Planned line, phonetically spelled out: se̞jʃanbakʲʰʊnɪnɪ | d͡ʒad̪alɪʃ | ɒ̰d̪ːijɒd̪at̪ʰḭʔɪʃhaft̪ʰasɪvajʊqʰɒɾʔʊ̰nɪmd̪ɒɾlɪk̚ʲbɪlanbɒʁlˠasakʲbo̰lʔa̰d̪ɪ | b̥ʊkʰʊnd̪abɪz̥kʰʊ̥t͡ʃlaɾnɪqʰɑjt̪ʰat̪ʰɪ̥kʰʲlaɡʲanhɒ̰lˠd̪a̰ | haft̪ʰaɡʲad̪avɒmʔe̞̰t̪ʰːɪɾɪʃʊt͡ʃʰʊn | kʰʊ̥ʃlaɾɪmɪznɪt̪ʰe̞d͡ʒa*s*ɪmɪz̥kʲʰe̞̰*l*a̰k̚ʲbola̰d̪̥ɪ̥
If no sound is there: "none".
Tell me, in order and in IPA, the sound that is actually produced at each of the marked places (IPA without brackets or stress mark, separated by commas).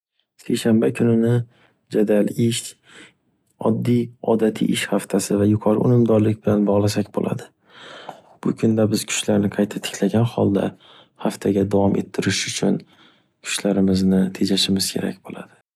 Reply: ʃ, ɾ